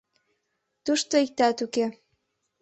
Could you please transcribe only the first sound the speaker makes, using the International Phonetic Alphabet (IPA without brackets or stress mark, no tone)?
t̪